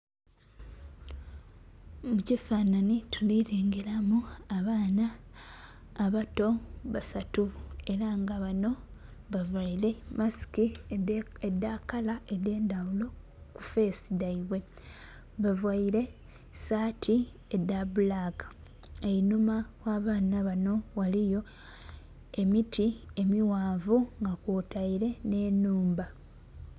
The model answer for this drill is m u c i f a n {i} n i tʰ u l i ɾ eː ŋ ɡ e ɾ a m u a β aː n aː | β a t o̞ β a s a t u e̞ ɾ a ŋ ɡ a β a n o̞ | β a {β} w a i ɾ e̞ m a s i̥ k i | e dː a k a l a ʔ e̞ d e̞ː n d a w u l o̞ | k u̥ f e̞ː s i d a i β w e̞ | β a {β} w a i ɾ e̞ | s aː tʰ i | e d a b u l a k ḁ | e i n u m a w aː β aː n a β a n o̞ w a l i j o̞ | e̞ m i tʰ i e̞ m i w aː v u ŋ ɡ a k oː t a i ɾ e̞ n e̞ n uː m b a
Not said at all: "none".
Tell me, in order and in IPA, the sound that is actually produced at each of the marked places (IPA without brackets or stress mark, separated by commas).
a, v, v